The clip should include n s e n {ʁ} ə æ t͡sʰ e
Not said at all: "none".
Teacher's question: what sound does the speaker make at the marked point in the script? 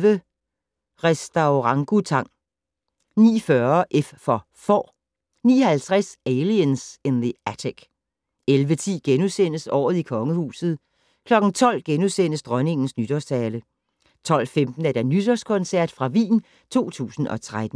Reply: ð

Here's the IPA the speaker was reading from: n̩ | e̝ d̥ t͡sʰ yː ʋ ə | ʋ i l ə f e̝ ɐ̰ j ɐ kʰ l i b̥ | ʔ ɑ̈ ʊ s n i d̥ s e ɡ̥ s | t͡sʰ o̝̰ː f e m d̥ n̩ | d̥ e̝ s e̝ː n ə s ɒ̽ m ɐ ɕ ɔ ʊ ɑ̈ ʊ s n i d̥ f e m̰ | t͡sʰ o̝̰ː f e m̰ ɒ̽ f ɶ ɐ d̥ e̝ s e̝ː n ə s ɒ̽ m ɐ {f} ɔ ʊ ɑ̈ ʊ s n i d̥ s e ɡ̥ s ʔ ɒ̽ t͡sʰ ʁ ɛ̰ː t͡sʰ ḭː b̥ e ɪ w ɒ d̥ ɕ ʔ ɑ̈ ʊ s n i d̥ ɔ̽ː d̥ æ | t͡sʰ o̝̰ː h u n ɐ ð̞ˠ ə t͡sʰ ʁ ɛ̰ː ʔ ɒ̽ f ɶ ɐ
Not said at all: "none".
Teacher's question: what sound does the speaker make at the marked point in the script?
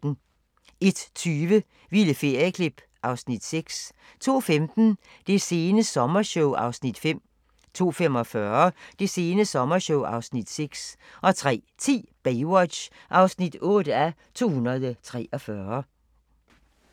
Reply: ɕ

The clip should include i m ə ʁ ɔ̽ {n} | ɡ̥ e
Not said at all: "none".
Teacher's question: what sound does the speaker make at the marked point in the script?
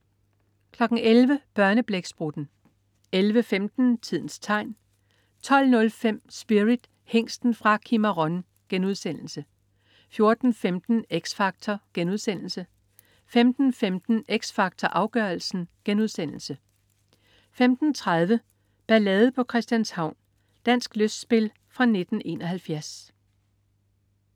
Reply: n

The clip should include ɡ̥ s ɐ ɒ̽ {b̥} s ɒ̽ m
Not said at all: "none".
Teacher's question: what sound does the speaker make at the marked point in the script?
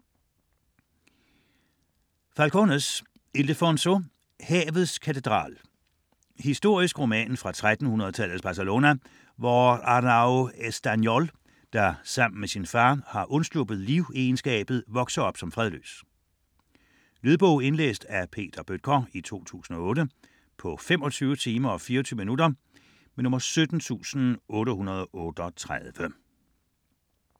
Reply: b̥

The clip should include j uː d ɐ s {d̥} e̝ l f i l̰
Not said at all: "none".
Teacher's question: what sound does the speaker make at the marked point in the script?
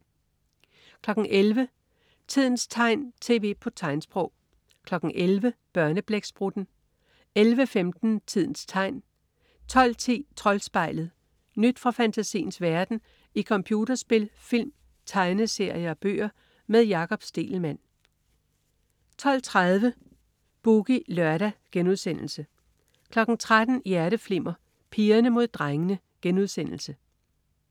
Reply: b̥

